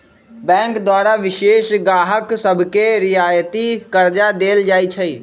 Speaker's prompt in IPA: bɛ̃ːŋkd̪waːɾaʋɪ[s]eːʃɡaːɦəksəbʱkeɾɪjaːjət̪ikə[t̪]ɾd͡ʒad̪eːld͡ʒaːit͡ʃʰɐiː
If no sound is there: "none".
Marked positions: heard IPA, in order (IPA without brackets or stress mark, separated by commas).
ʃ, none